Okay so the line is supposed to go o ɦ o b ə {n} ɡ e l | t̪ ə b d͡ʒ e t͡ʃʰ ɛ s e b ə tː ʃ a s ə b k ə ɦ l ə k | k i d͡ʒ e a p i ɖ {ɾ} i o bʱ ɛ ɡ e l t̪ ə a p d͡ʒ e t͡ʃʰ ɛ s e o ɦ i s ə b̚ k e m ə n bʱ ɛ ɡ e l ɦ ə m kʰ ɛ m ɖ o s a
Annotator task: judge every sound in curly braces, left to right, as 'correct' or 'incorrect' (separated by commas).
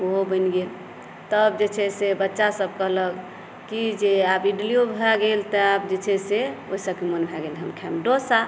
correct, incorrect